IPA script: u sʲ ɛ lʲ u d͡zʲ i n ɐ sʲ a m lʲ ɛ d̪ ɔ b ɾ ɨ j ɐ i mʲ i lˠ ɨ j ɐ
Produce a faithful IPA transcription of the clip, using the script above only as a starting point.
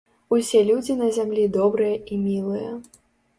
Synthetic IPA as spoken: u sʲ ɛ lʲ u d͡zʲ i n ɐ zʲ a m lʲ i d̪ ɔ b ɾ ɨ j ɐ i mʲ i lˠ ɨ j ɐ